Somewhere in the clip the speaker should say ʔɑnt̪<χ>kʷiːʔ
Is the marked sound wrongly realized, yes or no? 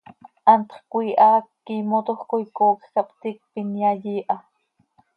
no